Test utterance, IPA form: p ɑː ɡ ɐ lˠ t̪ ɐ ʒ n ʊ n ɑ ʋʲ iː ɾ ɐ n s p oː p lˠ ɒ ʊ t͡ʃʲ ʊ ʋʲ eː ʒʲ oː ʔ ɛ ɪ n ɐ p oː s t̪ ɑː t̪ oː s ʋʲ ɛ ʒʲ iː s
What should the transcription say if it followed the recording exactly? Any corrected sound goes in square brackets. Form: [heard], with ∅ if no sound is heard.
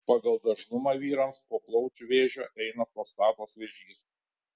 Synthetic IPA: p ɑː ɡ ɐ lˠ [d̪] ɐ ʒ n ʊ [m] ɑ ʋʲ iː ɾ ɐ [m] s p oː p lˠ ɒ ʊ t͡ʃʲ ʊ ʋʲ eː ʒʲ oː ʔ ɛ ɪ n ɐ p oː s t̪ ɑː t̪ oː s ʋʲ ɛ ʒʲ iː s